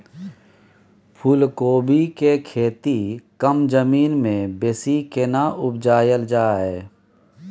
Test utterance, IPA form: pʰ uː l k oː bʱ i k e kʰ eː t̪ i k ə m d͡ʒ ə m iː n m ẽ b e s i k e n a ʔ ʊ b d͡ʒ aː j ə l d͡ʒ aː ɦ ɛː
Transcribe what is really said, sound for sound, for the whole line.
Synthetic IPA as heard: pʰ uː l k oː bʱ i k e kʰ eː t̪ i k ə m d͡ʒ ə m iː n m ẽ b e s i k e n a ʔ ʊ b d͡ʒ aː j ə l d͡ʒ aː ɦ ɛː